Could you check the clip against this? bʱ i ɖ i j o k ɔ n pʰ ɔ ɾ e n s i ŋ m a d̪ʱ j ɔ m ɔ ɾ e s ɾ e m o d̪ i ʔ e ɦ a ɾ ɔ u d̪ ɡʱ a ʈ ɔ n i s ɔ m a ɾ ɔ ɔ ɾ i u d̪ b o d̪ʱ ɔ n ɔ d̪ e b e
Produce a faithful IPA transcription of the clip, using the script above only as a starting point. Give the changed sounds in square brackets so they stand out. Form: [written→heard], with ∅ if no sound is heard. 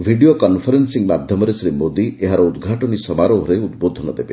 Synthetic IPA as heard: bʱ i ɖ i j o k ɔ n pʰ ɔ ɾ e n s i ŋ m a d̪ʱ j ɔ m ɔ ɾ e s ɾ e m o d̪ i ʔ e ɦ a ɾ ɔ u d̪ ɡʱ a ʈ ɔ n i s ɔ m a ɾ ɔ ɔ ɾ [i→e] u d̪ b o d̪ʱ ɔ n ɔ d̪ e b e